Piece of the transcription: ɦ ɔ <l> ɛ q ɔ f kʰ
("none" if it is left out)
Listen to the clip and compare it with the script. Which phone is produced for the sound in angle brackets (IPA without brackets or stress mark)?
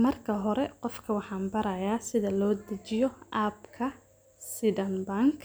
ɾ